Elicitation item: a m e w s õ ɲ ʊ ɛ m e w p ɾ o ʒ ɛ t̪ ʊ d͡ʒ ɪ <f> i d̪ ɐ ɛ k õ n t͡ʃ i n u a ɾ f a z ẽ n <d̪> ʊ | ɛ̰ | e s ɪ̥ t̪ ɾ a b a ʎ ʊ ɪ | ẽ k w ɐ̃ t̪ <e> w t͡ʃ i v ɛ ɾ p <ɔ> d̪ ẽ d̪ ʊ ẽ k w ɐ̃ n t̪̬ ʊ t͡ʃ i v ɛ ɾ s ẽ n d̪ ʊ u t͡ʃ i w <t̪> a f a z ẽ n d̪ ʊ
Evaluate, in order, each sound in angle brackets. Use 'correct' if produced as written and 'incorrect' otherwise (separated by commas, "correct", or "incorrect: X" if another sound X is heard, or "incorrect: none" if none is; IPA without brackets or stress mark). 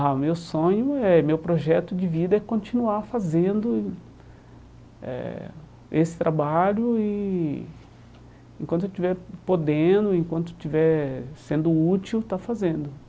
incorrect: v, correct, correct, incorrect: o, correct